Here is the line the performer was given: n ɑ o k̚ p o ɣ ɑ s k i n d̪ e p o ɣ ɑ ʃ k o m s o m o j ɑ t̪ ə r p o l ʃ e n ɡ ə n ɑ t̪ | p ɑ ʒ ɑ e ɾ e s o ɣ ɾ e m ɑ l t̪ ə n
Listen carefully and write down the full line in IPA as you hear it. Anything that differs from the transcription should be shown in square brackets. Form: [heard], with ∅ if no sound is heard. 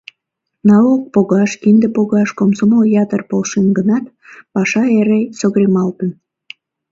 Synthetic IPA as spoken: n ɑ o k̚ p o ɣ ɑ [ʃ] k i n d̪ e p o ɣ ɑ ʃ k o m s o m o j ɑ t̪ ə r p o l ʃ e n ɡ ə n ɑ t̪ | p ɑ [ʃ] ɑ e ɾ e s o ɣ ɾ e m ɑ l t̪ ə n